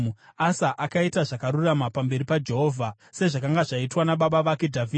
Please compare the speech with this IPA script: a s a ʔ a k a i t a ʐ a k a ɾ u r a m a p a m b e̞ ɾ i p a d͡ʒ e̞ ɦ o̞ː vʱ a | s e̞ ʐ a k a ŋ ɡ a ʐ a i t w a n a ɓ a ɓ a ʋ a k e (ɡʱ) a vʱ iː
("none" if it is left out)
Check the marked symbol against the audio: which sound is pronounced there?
dʱ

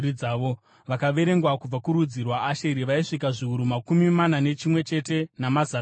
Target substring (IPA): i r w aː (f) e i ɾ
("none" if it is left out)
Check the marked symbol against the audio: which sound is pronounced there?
ʃ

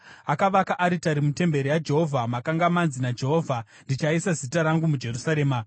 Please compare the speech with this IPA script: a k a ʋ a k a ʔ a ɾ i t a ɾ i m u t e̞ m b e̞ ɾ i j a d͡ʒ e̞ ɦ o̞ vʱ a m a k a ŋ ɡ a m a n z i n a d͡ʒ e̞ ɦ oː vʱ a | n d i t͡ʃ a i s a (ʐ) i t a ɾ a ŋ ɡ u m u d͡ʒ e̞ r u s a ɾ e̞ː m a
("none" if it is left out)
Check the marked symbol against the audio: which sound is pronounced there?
z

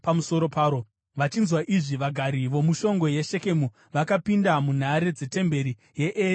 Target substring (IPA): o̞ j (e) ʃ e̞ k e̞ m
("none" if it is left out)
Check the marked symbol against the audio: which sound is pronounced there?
e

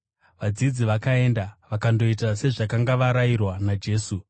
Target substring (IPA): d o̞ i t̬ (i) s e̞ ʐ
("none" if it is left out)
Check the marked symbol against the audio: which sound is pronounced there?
a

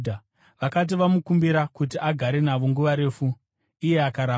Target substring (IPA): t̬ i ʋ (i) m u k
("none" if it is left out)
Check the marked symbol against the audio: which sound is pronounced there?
a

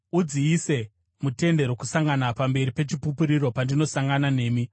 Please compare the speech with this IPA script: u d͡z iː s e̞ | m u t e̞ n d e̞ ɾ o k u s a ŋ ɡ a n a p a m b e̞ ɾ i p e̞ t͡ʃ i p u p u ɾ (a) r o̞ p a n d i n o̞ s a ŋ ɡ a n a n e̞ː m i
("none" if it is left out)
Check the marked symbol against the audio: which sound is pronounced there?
i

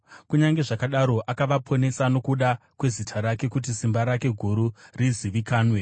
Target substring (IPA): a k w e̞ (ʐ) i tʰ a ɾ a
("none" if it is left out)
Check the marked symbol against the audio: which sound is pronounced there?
z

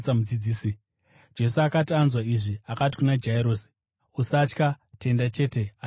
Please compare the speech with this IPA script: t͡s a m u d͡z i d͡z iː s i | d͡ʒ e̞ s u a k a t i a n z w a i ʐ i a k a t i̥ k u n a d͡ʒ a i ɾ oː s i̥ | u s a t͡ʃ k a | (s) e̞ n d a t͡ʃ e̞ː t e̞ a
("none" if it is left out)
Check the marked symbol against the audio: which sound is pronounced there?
t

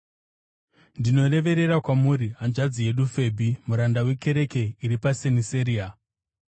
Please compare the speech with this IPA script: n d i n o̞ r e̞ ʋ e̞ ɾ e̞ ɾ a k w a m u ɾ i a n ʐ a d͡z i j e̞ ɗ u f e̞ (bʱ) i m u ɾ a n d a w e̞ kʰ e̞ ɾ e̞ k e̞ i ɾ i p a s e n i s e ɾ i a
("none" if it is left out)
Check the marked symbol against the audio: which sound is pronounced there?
bʱ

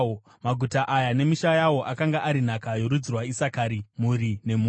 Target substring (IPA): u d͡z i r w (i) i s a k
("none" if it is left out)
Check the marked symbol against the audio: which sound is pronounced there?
a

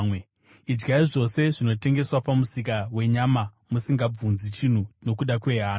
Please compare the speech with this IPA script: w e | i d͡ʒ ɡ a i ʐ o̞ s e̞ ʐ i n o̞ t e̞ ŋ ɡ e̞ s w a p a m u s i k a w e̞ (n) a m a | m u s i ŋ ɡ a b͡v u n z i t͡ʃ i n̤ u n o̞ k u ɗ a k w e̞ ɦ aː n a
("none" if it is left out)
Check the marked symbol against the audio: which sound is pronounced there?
ɲ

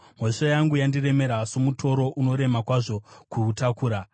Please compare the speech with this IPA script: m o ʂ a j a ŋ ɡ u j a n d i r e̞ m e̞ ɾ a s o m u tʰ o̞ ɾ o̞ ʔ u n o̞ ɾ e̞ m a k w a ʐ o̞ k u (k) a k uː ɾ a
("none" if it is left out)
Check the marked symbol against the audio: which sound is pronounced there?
t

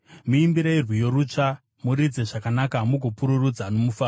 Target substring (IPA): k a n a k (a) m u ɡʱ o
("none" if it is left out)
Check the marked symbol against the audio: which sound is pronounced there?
a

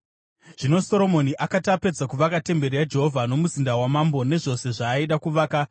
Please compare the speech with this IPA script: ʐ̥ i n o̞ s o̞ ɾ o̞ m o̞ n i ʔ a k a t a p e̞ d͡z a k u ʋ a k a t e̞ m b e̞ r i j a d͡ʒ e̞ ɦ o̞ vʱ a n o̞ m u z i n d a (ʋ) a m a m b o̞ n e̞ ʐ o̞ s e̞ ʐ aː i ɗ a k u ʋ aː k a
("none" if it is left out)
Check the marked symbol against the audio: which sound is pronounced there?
w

